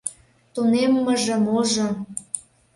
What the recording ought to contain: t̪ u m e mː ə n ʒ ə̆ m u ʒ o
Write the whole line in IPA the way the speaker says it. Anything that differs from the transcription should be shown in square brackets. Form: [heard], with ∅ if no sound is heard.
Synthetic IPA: t̪ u [n] e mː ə [∅] ʒ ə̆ m [o] ʒ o